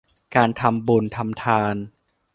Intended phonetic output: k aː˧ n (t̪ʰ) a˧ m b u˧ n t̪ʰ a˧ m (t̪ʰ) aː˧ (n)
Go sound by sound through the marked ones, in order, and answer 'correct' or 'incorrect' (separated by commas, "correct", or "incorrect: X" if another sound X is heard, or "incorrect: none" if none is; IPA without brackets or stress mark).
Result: correct, correct, correct